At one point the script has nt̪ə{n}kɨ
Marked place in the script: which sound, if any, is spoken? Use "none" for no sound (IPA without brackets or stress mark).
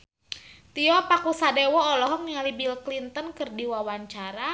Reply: n